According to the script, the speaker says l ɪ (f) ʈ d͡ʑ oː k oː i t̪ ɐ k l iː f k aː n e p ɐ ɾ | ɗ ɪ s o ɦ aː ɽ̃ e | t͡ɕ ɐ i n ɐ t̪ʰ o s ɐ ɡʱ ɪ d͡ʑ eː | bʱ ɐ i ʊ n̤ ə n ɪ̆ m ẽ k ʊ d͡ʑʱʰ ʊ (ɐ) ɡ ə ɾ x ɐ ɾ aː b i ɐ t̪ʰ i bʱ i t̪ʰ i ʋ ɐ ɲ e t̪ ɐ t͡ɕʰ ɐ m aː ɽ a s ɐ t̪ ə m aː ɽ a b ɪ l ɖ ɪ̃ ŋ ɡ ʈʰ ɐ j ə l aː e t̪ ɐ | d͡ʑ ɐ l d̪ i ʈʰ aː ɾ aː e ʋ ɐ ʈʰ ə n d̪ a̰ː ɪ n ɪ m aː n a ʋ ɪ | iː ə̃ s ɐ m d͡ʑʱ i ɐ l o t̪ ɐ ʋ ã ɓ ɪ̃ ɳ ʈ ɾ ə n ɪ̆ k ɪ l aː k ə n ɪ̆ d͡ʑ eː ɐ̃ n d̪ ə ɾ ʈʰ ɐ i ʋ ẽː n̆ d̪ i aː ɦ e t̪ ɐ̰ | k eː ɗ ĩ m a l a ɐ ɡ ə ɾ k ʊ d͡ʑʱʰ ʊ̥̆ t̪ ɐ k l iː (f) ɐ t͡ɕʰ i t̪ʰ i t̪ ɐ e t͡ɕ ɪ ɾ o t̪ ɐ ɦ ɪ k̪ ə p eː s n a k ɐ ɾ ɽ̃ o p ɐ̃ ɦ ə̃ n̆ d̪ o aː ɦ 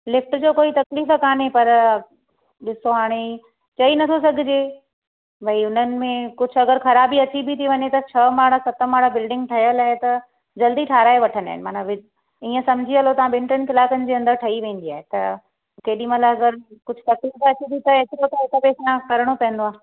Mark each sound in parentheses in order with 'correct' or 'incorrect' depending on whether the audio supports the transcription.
correct, correct, correct

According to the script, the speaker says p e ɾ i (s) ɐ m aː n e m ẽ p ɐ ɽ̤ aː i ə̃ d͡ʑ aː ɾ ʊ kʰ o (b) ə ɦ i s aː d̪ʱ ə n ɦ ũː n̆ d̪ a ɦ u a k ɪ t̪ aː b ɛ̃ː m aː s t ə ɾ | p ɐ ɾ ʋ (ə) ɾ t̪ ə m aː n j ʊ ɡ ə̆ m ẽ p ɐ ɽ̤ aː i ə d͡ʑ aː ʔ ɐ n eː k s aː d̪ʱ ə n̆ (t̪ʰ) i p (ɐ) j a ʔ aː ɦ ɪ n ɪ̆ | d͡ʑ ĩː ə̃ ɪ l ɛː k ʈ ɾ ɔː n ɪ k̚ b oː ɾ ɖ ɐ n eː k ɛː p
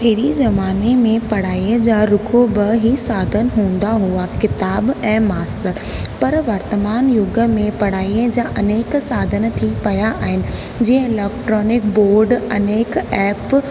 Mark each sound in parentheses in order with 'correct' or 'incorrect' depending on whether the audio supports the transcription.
incorrect: z, correct, incorrect: ɐ, correct, correct

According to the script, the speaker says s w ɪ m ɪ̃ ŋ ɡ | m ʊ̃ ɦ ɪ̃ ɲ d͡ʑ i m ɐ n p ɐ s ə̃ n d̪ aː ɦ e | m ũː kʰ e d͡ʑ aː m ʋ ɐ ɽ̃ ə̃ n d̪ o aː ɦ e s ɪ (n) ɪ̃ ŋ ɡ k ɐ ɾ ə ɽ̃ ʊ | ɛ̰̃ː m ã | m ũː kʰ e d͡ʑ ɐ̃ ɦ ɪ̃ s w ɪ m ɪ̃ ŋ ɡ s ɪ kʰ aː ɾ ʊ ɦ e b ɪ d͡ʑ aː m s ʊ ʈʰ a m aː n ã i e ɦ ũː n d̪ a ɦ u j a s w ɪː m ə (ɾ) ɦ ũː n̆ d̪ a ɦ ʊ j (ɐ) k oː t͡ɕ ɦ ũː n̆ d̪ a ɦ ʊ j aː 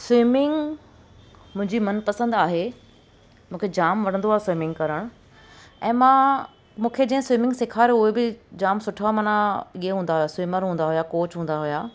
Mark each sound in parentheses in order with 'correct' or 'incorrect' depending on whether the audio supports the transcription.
incorrect: m, correct, incorrect: a

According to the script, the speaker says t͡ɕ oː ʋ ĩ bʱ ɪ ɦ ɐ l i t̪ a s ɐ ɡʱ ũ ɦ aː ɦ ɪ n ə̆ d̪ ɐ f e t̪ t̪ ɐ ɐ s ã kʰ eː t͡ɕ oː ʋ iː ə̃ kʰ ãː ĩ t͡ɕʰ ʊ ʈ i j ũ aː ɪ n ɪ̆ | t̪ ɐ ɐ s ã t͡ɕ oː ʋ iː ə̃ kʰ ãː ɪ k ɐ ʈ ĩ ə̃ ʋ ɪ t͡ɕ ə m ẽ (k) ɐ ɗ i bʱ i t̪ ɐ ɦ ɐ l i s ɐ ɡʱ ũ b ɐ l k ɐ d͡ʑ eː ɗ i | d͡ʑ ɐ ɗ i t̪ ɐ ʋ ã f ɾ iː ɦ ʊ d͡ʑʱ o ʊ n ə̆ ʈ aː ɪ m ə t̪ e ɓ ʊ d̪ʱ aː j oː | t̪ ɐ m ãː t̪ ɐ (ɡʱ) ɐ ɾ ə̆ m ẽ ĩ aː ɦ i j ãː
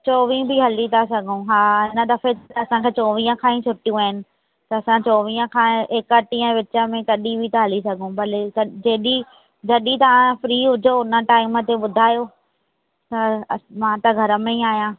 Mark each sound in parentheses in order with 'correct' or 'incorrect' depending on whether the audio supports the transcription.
correct, correct

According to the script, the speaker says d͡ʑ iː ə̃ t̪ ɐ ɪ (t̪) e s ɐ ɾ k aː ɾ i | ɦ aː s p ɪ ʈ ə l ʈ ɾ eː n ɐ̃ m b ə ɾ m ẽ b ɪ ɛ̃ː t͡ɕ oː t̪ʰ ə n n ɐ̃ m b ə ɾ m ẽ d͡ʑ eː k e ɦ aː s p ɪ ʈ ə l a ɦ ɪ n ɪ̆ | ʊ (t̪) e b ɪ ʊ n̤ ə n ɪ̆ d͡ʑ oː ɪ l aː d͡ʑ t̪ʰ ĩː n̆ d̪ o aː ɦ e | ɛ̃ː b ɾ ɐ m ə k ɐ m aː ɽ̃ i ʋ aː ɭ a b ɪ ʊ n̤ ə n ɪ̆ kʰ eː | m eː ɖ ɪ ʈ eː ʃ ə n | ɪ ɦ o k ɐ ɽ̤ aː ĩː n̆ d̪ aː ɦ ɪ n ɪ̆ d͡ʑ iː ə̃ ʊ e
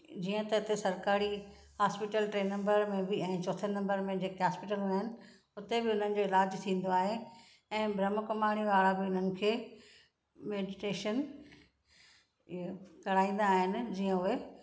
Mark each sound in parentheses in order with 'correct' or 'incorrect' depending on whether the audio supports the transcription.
correct, correct

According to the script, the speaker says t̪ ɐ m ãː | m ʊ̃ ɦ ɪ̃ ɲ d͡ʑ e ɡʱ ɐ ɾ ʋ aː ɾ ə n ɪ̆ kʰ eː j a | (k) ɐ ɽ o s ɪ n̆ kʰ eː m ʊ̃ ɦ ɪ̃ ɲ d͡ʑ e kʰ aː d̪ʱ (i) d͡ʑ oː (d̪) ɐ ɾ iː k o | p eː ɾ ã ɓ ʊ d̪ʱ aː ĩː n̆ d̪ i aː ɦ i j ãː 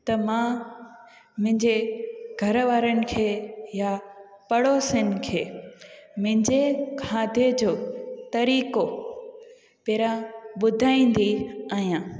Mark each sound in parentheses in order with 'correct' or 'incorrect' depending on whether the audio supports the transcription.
incorrect: p, incorrect: e, incorrect: t̪

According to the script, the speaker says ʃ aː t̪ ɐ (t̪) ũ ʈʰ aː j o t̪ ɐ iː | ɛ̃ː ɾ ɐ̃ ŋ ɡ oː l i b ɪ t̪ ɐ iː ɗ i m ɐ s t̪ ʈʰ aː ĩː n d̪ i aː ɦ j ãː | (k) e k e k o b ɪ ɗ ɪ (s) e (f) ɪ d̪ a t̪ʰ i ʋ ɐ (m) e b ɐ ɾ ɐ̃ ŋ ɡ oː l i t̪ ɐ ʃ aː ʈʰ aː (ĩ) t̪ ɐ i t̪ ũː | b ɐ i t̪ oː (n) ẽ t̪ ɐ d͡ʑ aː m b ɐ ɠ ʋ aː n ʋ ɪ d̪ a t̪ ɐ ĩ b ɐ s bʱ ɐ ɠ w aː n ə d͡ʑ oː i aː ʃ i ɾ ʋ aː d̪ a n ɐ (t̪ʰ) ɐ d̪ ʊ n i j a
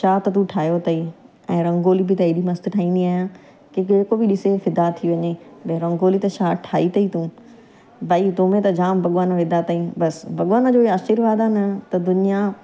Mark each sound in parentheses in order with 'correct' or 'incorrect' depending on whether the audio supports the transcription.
correct, correct, correct, correct, incorrect: ɲ, incorrect: i, incorrect: m, incorrect: t̪

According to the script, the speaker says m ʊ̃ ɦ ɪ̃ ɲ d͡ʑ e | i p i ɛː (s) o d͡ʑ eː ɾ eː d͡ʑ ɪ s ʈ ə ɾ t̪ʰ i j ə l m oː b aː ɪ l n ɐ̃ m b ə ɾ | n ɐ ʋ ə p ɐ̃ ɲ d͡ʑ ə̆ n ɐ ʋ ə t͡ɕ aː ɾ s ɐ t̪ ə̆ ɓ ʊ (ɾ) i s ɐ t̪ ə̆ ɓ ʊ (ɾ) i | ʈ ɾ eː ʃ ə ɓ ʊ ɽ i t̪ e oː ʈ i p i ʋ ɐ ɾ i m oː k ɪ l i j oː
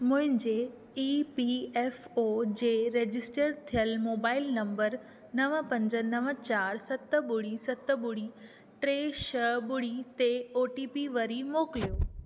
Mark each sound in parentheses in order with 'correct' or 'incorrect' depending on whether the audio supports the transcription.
incorrect: f, incorrect: ɽ, incorrect: ɽ

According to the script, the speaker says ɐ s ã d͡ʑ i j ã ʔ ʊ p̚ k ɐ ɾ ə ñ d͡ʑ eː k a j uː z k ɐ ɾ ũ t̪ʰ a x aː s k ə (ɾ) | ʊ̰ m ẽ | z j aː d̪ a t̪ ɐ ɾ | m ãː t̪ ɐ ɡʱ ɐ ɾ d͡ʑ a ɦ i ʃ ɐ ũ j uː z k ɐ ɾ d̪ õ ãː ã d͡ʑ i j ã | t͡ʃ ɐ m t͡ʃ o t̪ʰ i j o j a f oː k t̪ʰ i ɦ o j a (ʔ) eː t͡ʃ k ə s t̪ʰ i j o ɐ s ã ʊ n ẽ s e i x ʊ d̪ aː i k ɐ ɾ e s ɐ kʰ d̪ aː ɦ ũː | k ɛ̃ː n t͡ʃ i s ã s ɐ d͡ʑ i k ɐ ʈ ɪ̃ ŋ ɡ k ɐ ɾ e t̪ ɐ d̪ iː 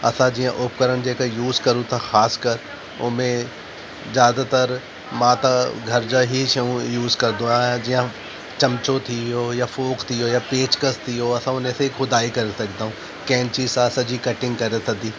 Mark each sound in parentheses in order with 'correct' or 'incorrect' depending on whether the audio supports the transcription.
correct, incorrect: p

